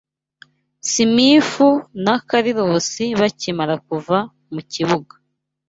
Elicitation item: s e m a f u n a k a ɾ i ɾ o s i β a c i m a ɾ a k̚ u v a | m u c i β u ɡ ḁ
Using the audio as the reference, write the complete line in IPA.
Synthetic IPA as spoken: s i m i f u n a k a ɾ i ɾ o s i β a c i m a ɾ a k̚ u v a | m u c i β u ɡ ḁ